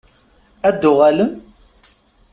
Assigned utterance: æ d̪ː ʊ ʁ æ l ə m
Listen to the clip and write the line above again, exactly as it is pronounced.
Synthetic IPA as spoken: æ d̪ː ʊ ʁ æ l ə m